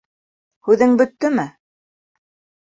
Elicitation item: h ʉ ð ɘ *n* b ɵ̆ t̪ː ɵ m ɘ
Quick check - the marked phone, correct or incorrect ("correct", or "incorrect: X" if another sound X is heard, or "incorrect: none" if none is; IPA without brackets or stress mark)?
incorrect: ŋ